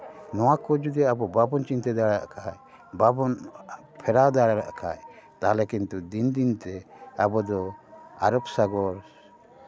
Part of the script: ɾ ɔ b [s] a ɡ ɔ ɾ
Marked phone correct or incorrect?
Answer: correct